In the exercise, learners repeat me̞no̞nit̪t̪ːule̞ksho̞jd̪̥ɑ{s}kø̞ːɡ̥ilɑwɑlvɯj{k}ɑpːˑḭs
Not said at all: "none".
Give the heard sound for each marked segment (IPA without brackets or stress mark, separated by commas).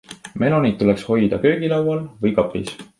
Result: none, k